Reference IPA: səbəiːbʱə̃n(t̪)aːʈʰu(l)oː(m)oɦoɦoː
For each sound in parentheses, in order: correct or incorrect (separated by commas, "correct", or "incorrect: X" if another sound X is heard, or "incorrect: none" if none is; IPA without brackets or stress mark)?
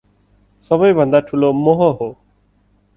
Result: incorrect: d̪, correct, correct